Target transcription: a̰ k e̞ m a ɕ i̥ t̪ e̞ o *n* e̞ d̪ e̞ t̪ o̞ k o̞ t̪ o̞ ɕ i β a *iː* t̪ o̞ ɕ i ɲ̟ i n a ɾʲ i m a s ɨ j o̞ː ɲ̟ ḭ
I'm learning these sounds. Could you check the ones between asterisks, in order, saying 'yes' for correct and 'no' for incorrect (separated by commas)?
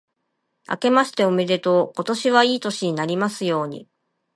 no, yes